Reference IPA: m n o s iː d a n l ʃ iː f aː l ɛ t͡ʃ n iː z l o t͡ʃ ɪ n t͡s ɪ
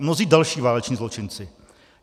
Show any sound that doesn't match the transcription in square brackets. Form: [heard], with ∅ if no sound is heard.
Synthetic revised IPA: m n o [z] iː d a [∅] l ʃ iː [v] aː l ɛ t͡ʃ [ɲ] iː z l o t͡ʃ ɪ n t͡s ɪ

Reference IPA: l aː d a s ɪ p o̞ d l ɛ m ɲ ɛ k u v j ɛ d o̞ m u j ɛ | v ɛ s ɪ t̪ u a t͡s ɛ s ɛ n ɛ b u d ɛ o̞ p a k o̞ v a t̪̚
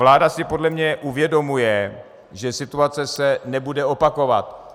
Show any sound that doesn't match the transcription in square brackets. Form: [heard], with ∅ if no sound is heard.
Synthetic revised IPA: l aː d a s ɪ p o̞ d l ɛ m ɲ ɛ [ʔ] u v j ɛ d o̞ m u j ɛ | [ʒ] ɛ s ɪ t̪ u a t͡s ɛ s ɛ n ɛ b u d ɛ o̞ p a k o̞ v a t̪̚

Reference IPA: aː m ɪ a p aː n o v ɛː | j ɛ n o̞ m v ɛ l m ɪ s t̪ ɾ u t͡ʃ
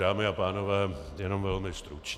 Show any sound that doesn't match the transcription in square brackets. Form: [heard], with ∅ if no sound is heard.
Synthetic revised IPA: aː m ɪ a p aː n o v ɛː | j ɛ n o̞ m v ɛ l m ɪ s t̪ ɾ u t͡ʃ

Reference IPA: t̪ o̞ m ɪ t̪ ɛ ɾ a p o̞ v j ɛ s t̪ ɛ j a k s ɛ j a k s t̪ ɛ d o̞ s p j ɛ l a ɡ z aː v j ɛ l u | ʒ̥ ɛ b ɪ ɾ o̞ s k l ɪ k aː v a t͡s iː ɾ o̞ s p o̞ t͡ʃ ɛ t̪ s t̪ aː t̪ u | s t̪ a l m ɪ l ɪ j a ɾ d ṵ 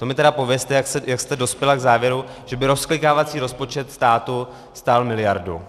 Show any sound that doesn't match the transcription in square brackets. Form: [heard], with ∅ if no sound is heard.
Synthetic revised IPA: t̪ o̞ m ɪ t̪ ɛ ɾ a p o̞ v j ɛ s t̪ ɛ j a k s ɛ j a k s t̪ ɛ d o̞ s p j ɛ l a ɡ z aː v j ɛ [ɾ] u | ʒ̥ ɛ b ɪ ɾ o̞ s k l ɪ k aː v a t͡s iː ɾ o̞ s p o̞ t͡ʃ ɛ t̪ s t̪ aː t̪ u | s t̪ a l m ɪ l ɪ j a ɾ d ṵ

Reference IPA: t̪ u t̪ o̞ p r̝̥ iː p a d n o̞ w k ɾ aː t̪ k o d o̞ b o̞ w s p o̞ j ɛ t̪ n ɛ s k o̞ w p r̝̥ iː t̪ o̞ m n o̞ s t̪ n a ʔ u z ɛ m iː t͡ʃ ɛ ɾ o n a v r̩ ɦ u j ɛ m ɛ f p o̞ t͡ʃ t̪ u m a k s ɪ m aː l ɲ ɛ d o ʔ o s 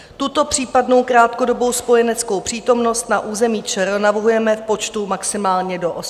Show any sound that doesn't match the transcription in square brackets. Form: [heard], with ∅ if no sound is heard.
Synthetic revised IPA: t̪ u t̪ o̞ p r̝̥ iː p a d n o̞ w k ɾ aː t̪ k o d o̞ b o̞ w s p o̞ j ɛ [∅] n ɛ [t͡s] k o̞ w p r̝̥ iː t̪ o̞ m n o̞ s t̪ n a ʔ [uː] z ɛ m iː t͡ʃ ɛ ɾ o n a v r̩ ɦ u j ɛ m ɛ f p o̞ t͡ʃ t̪ u m a k s ɪ m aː l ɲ ɛ d o ʔ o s

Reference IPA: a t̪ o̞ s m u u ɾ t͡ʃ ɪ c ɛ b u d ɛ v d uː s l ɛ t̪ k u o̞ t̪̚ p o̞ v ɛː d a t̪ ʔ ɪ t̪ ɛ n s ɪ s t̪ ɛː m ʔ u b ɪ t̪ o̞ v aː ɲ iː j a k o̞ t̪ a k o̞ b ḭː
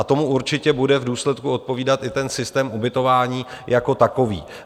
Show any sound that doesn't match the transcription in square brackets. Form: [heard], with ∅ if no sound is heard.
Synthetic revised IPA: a t̪ o̞ [∅] m u u ɾ t͡ʃ ɪ c ɛ b u d ɛ v d uː s l ɛ t̪ k u o̞ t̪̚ p o̞ v [iː] d a t̪ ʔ ɪ t̪ ɛ n s ɪ s t̪ ɛː m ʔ u b ɪ t̪ o̞ v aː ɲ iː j a k o̞ t̪ a k o̞ [v] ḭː

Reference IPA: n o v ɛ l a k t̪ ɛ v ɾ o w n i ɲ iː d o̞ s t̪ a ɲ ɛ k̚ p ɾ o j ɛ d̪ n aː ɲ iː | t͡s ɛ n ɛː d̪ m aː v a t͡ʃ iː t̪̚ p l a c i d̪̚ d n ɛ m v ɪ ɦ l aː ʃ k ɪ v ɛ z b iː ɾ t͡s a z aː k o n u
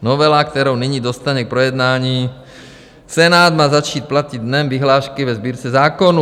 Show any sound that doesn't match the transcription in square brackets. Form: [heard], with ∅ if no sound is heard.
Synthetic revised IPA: n o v ɛ l a k t̪ ɛ [∅] ɾ o w n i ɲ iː d o̞ s t̪ a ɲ ɛ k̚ p ɾ o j ɛ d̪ n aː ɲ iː | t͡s ɛ n [aː] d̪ m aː [z] a t͡ʃ iː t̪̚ p l a c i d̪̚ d n ɛ m v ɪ ɦ l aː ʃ k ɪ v ɛ z b iː ɾ t͡s [ɛ] z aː k o n u

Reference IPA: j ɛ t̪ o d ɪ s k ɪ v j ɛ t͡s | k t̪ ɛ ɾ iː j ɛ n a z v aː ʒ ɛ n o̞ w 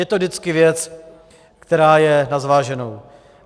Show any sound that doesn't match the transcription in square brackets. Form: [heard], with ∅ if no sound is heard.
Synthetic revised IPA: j ɛ t̪ o d ɪ [t͡s] k ɪ v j ɛ t͡s | k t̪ ɛ ɾ [aː] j ɛ n a z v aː ʒ ɛ n o̞ w

